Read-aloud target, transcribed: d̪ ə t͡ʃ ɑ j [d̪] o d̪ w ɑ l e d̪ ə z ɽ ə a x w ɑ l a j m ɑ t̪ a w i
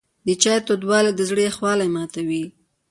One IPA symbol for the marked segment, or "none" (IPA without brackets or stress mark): t̪